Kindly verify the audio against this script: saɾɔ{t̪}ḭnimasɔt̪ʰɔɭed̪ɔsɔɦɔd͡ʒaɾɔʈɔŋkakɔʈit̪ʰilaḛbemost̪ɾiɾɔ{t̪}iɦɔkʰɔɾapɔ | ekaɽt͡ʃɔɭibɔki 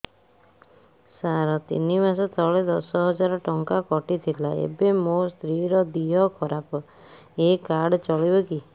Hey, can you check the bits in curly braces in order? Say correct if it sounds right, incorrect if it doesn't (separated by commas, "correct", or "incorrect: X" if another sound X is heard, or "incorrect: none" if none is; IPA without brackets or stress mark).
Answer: correct, incorrect: d̪